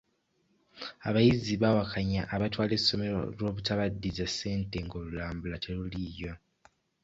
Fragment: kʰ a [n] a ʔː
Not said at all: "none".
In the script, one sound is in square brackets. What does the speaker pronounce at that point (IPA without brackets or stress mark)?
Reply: ɲ